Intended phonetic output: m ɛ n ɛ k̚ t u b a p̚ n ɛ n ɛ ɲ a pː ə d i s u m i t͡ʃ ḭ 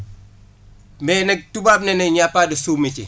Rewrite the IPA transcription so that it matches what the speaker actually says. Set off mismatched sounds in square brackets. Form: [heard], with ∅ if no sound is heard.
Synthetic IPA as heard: m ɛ n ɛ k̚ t u b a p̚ n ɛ n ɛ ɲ a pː [a] d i s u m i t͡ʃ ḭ

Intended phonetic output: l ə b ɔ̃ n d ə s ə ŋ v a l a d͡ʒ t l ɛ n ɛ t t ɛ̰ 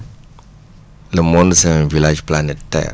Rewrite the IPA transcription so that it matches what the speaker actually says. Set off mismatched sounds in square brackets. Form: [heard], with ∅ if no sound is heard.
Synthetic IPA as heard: l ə [m] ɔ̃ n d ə s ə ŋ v [i] l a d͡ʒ [p] l [a] n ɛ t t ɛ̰

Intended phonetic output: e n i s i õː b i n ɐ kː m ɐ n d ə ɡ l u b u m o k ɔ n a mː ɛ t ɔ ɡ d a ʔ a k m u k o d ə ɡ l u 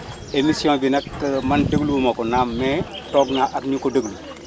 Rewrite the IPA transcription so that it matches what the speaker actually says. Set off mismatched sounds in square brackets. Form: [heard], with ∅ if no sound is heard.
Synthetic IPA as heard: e [m] i s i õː b i n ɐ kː m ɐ n d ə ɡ l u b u m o k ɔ n a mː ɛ t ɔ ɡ [n] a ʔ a k [ɲ] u k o d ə ɡ l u

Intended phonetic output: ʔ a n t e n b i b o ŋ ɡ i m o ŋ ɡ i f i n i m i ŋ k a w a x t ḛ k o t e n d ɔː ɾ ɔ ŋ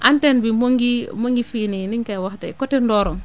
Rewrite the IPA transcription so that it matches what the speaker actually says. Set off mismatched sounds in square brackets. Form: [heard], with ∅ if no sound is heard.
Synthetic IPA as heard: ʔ a n t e n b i [m] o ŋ ɡ i m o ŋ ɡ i f i n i [n] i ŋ k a w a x t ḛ k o t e n d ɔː ɾ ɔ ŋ

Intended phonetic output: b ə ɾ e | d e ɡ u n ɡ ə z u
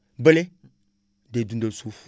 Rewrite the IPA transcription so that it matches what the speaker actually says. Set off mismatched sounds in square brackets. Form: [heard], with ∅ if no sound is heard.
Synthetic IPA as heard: b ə [l] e | d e [d] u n [d] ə [s] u

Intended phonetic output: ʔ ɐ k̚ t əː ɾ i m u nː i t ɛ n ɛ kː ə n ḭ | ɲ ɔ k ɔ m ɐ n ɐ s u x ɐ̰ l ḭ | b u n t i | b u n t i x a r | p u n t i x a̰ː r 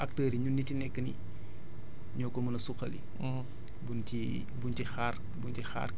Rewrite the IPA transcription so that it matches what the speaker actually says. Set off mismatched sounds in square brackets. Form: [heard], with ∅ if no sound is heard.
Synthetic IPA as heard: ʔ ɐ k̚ t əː ɾ i [ɲ] u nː i t [i] n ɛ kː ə n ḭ | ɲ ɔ k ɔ m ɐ n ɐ s u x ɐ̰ l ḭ | b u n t i | b u n t i x a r | [b] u n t i x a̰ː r

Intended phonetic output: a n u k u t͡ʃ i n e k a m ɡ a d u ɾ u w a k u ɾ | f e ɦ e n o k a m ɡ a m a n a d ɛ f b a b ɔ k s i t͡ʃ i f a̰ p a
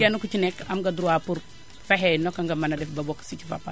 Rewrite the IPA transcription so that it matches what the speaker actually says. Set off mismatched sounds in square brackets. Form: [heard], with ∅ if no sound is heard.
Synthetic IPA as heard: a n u k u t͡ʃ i n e k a m ɡ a d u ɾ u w a [p] u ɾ | f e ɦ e n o k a [ŋ] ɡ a m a n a d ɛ f b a b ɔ k s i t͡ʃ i f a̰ p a

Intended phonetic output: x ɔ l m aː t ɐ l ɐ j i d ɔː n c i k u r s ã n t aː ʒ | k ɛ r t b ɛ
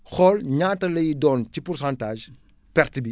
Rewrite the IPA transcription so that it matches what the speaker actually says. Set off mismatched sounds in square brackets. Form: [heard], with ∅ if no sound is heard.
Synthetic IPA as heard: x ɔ l [ɲ] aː t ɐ l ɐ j i d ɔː n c i [p] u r s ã n t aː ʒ | [p] ɛ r t b [i]

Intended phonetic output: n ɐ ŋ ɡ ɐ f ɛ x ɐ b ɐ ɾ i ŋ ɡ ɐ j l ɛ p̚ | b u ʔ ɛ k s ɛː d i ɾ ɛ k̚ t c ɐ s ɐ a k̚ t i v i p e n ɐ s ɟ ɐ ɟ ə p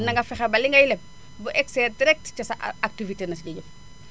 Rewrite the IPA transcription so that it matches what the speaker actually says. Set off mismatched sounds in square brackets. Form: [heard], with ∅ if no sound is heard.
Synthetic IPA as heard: n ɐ ŋ ɡ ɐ f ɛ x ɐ b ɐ [l] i ŋ ɡ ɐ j l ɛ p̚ | b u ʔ ɛ k s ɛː d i ɾ ɛ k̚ t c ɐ s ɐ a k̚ t i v i [t] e n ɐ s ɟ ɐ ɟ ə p

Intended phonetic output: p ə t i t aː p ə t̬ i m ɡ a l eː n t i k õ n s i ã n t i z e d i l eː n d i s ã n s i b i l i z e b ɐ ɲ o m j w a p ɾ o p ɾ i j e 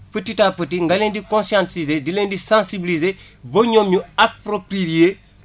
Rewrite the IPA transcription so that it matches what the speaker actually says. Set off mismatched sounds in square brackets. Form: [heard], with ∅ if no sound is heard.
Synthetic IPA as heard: p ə t i t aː p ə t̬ i [ŋ] ɡ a l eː n [d] i k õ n s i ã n t i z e d i l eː n d i s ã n s i b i l i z e b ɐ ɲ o m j [u] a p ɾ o p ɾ i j e

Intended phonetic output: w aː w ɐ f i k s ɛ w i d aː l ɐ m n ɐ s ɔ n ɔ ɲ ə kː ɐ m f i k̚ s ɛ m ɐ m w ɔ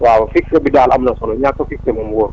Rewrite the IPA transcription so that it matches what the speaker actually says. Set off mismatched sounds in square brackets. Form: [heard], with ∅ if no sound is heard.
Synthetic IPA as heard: w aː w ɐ f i k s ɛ [b] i d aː l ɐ m n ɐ s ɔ n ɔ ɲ [a] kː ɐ [∅] f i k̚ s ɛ m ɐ m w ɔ

